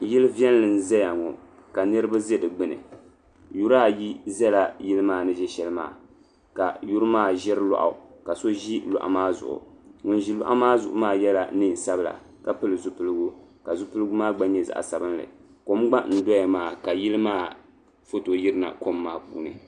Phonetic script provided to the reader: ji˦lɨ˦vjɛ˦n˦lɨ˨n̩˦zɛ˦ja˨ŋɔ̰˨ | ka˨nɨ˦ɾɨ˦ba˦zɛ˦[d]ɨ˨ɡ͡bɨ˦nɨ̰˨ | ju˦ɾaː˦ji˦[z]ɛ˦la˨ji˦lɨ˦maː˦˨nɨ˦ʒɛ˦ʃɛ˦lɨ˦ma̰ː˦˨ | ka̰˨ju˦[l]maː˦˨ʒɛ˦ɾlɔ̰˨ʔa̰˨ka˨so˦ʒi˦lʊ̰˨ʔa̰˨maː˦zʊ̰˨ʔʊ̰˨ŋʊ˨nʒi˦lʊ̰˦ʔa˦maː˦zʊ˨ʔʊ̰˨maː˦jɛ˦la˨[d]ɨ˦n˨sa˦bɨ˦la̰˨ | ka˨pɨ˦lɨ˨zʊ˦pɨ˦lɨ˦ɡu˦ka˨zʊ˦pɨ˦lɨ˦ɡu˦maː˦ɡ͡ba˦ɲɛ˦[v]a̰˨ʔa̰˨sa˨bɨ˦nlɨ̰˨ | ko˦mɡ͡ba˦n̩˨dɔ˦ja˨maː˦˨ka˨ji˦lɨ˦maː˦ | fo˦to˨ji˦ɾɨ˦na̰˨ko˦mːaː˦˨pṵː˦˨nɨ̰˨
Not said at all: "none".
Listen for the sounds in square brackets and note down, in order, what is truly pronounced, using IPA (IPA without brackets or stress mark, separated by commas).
d, z, ɾ, n, z